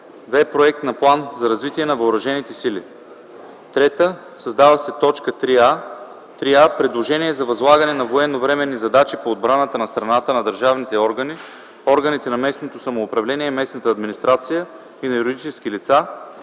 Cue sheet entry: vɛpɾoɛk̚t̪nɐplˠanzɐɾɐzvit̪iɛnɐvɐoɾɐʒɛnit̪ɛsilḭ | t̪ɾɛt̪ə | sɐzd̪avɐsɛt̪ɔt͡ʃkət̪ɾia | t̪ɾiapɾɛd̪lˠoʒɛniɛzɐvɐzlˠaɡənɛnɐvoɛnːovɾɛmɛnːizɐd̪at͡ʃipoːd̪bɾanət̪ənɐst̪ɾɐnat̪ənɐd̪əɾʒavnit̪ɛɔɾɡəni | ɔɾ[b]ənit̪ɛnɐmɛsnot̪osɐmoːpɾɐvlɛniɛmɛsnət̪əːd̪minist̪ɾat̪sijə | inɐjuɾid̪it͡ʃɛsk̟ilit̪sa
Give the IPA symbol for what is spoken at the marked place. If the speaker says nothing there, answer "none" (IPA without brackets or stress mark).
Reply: ɡ